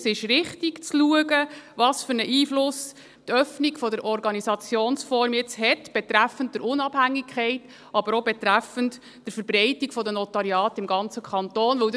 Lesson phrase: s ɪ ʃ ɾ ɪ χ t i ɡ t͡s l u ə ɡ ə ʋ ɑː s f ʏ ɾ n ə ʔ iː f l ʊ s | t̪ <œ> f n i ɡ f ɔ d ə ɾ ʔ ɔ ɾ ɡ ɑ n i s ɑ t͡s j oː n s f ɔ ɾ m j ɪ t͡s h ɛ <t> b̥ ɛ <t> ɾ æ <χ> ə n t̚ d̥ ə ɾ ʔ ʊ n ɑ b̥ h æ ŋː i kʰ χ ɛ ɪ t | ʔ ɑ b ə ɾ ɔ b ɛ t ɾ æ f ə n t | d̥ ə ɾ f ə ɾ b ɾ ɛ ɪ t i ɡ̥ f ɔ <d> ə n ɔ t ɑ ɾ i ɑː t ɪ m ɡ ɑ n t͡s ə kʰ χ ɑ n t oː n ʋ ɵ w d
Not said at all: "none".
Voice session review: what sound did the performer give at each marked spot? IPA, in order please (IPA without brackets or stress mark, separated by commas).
œ, t, t, f, d